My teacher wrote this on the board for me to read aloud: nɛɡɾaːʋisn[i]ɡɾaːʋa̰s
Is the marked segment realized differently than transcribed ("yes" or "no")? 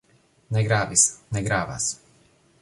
yes